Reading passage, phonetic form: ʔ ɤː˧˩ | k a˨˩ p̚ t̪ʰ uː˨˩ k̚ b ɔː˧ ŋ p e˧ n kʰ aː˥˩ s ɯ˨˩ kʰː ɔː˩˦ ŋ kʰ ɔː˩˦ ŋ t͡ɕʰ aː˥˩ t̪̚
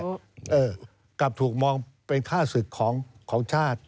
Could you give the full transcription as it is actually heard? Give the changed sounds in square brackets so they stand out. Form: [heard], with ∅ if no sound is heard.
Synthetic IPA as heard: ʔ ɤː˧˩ | k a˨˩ p̚ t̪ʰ uː˨˩ k̚ [m] ɔː˧ ŋ p e˧ n kʰ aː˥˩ s ɯ˨˩ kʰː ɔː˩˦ ŋ kʰ ɔː˩˦ ŋ t͡ɕʰ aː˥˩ t̪̚